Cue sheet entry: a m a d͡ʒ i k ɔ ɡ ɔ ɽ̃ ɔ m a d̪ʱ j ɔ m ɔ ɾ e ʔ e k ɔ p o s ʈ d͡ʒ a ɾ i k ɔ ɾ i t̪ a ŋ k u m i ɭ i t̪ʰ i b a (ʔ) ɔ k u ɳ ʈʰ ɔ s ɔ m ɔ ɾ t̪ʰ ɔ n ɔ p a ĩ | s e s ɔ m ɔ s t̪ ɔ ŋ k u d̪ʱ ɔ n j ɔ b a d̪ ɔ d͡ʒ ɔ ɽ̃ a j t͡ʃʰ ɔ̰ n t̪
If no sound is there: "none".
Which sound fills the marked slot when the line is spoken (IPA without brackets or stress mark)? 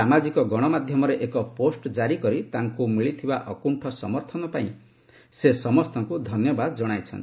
ʔ